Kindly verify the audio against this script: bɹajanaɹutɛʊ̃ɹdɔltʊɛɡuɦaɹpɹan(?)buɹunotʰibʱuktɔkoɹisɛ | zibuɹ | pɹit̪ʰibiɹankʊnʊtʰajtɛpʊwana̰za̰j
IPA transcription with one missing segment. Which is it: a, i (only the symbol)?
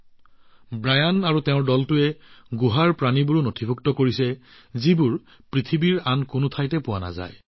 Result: i